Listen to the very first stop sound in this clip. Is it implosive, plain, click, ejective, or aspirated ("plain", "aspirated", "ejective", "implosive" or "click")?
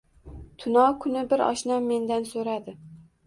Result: aspirated